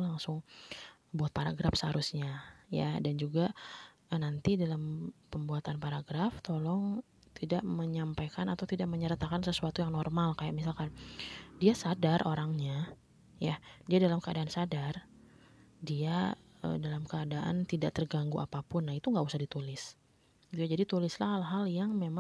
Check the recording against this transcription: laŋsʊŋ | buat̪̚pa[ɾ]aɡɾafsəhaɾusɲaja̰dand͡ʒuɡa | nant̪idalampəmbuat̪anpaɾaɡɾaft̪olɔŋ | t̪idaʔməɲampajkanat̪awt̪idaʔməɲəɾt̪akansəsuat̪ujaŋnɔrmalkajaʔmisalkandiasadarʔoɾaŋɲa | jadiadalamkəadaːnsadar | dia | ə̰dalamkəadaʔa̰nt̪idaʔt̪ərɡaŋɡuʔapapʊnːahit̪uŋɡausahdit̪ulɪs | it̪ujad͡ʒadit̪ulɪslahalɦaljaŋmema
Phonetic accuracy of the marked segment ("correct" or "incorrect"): correct